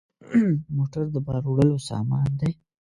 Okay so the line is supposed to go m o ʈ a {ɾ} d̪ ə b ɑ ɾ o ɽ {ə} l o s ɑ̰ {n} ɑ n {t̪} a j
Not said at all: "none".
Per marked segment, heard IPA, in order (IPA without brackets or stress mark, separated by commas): ɾ, ə, m, d̪